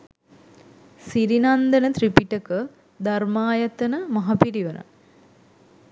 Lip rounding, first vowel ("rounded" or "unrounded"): unrounded